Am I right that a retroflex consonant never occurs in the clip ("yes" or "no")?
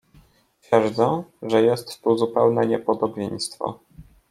no